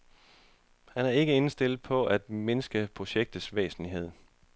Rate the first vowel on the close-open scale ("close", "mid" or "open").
open